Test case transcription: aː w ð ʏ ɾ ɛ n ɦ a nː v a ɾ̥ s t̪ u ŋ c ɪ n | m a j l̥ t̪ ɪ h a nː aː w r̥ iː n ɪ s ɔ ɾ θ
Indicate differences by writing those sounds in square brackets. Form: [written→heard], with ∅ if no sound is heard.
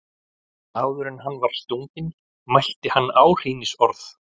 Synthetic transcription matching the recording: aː w ð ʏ ɾ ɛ n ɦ a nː v a ɾ̥ s t̪ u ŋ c ɪ n | m a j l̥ t̪ ɪ h a nː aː w r̥ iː n ɪ s ɔ ɾ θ